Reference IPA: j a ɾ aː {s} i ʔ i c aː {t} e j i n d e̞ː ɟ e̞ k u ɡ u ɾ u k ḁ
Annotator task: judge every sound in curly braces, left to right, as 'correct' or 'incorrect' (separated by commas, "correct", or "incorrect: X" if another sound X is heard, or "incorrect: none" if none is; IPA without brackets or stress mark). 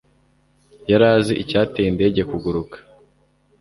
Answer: incorrect: z, correct